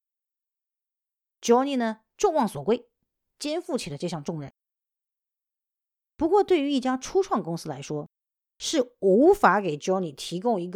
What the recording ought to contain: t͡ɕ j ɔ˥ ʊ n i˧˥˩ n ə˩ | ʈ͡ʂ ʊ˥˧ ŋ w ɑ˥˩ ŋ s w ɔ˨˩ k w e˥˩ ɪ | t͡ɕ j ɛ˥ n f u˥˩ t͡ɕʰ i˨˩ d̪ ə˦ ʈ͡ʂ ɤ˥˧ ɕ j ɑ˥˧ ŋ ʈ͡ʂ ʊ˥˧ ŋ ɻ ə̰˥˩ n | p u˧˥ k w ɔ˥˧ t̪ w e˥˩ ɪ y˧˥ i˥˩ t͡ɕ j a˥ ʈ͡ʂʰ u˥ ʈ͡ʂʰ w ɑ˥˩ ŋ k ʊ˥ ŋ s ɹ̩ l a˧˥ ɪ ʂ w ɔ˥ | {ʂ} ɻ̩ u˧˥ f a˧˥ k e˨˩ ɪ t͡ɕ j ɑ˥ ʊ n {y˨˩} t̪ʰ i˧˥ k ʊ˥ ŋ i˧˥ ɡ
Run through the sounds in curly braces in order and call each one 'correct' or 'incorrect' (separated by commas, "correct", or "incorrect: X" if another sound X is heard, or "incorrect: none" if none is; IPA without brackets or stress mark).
correct, incorrect: i˨˩